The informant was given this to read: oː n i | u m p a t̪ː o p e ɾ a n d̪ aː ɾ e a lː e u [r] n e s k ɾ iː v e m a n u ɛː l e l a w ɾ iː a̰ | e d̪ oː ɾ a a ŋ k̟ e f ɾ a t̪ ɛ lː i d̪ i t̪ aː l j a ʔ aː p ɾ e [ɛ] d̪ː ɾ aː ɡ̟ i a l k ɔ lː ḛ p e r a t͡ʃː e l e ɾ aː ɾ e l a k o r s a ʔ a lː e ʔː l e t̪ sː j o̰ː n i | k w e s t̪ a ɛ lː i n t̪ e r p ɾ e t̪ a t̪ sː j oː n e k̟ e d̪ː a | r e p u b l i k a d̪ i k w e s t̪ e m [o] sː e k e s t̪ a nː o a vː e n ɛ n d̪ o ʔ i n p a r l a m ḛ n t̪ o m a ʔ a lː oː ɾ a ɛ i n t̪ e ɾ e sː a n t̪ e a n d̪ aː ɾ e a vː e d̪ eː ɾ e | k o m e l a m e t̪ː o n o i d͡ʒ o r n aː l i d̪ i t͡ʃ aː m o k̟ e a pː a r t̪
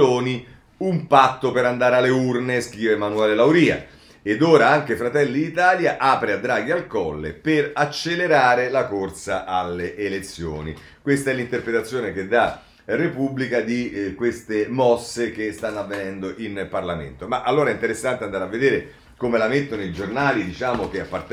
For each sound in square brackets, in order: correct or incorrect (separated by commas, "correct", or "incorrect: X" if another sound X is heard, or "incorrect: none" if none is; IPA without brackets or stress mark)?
correct, incorrect: a, incorrect: ɔ